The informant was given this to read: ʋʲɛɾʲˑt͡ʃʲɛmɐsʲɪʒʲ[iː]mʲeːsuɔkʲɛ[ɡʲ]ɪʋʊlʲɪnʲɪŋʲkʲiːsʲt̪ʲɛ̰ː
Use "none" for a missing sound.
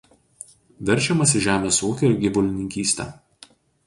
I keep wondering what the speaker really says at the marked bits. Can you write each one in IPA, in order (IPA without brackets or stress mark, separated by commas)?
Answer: æː, ɡʲ